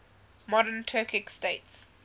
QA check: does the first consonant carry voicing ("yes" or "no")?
yes